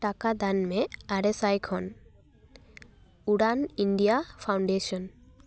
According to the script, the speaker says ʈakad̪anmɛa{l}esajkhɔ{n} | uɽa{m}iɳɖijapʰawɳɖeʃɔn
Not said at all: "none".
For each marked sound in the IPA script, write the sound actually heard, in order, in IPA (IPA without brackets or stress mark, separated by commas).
ɾ, n, n